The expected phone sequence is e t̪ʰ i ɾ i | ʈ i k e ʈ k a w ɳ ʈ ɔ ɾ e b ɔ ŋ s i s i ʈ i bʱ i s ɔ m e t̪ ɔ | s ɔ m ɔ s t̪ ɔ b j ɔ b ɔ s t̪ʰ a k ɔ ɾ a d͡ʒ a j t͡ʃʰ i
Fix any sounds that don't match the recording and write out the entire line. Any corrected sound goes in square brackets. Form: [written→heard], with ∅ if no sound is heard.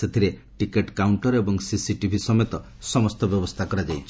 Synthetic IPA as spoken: e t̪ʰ i ɾ [i→e] | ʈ i k e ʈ k a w ɳ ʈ ɔ ɾ e b ɔ ŋ s i s i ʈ i bʱ i s ɔ m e t̪ ɔ | s ɔ m ɔ s t̪ ɔ b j ɔ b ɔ s t̪ʰ a k ɔ ɾ a d͡ʒ a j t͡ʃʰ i